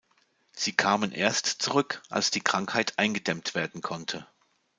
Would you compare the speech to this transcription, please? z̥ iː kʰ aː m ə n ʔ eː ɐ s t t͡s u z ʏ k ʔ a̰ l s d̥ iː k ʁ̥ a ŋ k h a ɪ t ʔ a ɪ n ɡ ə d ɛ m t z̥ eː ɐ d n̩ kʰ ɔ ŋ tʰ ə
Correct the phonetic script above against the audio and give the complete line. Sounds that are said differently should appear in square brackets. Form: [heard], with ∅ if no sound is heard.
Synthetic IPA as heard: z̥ iː kʰ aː m ə n ʔ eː ɐ s t t͡s u [ʁ] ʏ k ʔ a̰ l s d̥ iː k ʁ̥ a ŋ k h a ɪ t ʔ a ɪ n ɡ ə d ɛ m t [v̥] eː ɐ d n̩ kʰ ɔ [n] tʰ ə